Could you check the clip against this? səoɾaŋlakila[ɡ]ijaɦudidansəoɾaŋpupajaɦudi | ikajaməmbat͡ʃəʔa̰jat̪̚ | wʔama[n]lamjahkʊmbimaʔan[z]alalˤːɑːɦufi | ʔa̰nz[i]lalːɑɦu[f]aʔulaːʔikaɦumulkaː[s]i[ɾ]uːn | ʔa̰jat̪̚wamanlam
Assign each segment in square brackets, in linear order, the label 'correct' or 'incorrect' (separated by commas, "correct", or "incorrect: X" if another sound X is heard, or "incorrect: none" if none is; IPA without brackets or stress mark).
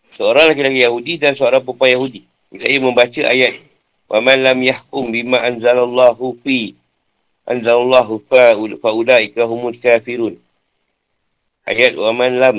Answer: incorrect: k, correct, correct, incorrect: a, correct, incorrect: f, correct